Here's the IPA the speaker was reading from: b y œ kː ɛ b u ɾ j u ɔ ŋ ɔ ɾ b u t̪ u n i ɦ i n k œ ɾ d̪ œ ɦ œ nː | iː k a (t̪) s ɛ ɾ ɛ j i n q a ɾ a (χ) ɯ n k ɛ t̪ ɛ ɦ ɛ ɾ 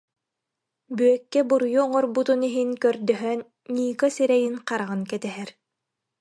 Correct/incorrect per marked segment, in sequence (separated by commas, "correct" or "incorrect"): incorrect, incorrect